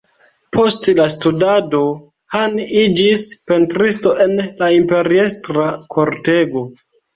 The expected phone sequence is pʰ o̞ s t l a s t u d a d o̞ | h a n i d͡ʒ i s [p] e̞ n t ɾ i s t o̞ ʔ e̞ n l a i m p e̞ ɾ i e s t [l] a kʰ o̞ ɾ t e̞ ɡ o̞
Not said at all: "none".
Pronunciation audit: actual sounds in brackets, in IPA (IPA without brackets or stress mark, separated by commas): p, ɾ